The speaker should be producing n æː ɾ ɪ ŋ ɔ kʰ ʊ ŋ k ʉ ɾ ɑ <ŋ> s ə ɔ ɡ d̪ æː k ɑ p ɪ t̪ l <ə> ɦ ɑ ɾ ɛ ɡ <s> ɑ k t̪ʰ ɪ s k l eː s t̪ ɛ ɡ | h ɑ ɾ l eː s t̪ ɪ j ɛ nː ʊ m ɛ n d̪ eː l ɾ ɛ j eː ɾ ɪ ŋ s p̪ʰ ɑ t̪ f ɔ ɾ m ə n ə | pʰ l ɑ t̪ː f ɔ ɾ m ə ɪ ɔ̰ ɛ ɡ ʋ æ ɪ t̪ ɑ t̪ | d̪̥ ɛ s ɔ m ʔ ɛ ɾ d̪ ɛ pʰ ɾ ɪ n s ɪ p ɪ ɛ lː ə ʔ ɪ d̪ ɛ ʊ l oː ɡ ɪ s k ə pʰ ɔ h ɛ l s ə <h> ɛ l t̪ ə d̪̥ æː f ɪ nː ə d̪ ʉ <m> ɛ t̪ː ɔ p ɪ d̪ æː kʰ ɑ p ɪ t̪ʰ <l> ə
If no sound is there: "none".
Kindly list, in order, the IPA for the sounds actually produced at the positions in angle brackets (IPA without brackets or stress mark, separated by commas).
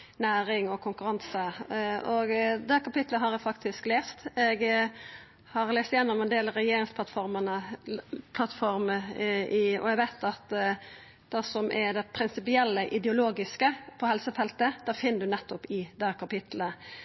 n, ə, f, f, n, l